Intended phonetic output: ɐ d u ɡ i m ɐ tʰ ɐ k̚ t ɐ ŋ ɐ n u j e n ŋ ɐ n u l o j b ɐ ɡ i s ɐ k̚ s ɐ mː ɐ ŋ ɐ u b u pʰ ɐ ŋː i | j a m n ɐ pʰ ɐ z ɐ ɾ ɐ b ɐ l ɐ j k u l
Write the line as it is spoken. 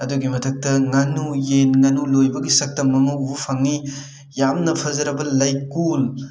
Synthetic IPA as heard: ɐ d u ɡ i m ɐ tʰ ɐ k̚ t ɐ ŋ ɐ n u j e n ŋ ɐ n u l o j b ɐ ɡ i s ɐ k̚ t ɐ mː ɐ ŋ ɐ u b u pʰ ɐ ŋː i | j a m n ɐ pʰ ɐ z ɐ ɾ ɐ b ɐ l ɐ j k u l

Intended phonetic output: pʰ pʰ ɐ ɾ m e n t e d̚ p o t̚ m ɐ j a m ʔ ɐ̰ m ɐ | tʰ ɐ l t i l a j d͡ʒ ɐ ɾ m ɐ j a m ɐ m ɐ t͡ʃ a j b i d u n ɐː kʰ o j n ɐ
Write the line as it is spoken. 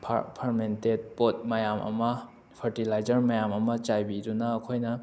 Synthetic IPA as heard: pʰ pʰ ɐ ɾ m e n t e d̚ p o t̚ m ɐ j a m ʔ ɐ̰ m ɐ | pʰ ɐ ɾ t i l a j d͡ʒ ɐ ɾ m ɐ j a m ɐ m ɐ t͡ʃ a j b i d u n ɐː kʰ o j n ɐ

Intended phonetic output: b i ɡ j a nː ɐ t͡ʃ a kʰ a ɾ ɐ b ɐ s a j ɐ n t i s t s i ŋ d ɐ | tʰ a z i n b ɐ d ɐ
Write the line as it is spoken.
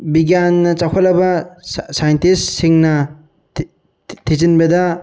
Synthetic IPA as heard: b i ɡ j a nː ɐ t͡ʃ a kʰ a l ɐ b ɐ s a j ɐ n t i s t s i ŋ n ɐ | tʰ i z i n b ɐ d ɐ

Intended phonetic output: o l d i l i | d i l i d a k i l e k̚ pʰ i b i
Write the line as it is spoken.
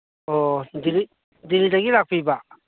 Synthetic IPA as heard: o d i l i | d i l i d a ɡ i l a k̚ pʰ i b a

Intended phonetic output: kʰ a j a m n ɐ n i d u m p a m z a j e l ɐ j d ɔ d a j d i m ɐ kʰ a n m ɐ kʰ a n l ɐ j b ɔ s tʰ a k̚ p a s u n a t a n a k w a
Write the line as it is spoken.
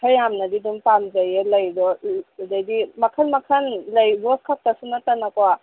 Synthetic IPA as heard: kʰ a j a m n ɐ d i d u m p a m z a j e l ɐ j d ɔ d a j d i m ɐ kʰ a n m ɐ kʰ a n l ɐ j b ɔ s kʰ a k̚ t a s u n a t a n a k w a

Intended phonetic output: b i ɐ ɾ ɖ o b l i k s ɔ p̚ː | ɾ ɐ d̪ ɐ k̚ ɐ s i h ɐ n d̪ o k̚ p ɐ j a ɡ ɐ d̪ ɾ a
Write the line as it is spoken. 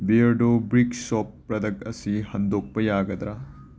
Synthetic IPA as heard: b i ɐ ɾ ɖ o b ɾ i k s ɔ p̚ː | ɾ ɐ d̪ ɐ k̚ ɐ s i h ɐ n d̪ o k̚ p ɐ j a ɡ ɐ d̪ ɾ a

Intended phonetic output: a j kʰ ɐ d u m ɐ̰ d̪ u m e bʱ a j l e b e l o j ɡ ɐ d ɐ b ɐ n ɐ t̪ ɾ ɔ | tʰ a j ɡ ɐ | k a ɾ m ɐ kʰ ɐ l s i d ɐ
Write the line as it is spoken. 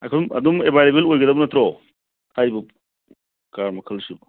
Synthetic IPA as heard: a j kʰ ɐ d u m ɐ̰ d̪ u m e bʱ a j l e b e l o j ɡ ɐ d ɐ b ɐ n ɐ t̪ ɾ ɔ | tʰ a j b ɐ | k a ɾ m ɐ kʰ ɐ l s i b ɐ

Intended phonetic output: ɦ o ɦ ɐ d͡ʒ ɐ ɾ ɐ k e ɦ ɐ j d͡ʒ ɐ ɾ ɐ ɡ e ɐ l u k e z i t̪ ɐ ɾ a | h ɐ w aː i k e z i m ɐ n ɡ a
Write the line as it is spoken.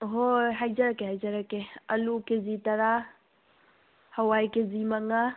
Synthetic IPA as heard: ɦ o ɦ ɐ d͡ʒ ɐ ɾ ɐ k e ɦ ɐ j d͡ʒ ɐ ɾ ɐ k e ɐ l u k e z i t̪ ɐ ɾ a | h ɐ w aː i k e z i m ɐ ŋ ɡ a

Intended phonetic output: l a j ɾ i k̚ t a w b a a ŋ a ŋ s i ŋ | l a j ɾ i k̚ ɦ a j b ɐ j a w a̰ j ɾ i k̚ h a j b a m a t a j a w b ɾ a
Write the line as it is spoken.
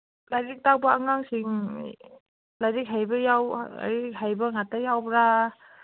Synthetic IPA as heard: l a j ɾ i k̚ t a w b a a ŋ a ŋ s i ŋ | l a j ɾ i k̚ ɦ a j b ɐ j a w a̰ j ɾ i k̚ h a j b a ŋ a t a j a w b ɾ a

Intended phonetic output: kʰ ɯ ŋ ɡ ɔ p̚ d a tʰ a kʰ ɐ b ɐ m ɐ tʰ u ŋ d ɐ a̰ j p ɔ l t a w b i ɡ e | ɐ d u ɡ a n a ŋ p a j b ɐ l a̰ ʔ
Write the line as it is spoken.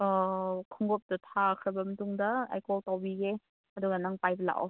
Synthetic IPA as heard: kʰ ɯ ŋ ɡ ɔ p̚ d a tʰ a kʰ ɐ b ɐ m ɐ t u ŋ d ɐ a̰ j k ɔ l t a w b i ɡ e | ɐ d u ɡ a n a ŋ p a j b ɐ l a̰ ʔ

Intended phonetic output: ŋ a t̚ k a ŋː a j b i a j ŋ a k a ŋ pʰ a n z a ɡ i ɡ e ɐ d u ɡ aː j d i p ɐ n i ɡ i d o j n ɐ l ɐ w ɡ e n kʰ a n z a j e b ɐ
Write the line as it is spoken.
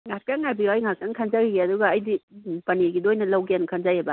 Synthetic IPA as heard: ŋ a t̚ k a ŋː a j b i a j ŋ a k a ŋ kʰ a n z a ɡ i ɡ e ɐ d u ɡ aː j d i p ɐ n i ɡ i d o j n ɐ l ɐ w ɡ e n kʰ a n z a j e b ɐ

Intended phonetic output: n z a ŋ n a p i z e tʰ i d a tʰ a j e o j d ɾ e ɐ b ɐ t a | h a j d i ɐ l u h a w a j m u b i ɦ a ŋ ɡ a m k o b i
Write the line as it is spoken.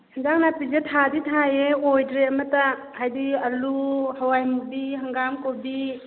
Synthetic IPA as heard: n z a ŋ n a p i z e tʰ a d i tʰ a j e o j d ɾ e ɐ m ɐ t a | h a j d i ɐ l u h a w a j m u b i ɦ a ŋ ɡ a m k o b i

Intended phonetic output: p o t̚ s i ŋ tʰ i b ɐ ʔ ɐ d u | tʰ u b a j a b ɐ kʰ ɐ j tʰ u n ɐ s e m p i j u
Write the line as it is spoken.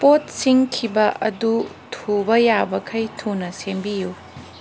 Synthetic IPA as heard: p o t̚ s i ŋ kʰ i b ɐ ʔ ɐ d u | tʰ u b ɐ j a b ɐ kʰ ɐ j tʰ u n ɐ s e m b i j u

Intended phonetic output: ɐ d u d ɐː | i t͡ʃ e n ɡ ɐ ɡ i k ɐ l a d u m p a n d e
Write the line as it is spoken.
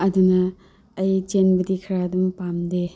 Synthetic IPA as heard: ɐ d u n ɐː | j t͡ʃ e n b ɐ d i kʰ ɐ ɾ a d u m p a m d e

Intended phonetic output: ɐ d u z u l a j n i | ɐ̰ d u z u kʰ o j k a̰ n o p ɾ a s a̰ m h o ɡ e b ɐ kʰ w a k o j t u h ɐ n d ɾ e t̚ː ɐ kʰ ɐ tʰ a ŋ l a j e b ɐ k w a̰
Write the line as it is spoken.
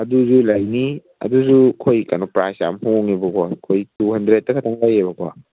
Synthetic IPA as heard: ɐ d u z u l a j n i | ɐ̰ d u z u kʰ o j k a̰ n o p ɾ a s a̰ m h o ŋ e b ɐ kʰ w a kʰ o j t u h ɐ n d ɾ e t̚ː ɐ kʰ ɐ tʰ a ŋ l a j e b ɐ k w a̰

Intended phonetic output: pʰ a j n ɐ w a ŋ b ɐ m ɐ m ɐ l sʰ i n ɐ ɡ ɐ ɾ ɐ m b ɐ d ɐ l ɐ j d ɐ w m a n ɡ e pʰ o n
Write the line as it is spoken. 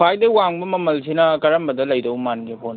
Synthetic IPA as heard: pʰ a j d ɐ w a ŋ b ɐ m ɐ m ɐ l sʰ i n ɐ k ɐ ɾ ɐ m b ɐ d ɐ l ɐ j d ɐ w m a n ɡ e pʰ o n

